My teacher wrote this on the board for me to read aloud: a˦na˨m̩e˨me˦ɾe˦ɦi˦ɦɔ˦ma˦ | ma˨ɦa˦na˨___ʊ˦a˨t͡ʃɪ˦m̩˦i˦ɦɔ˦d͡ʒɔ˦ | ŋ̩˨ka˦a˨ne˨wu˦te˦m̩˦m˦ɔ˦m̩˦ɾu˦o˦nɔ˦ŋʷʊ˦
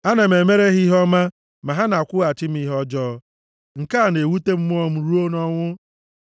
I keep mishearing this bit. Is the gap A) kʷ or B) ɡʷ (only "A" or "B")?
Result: A